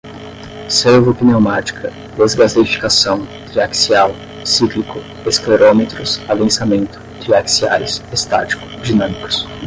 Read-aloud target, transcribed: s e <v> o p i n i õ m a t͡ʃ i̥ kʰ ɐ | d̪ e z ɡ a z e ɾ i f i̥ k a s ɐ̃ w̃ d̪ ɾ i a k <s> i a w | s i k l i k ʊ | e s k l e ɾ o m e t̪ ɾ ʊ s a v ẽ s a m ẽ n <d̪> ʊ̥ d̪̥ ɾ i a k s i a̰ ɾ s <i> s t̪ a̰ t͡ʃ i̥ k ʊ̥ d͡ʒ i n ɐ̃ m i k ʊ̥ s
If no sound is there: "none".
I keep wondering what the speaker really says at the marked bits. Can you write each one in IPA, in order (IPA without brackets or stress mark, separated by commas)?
v, s, t̪, e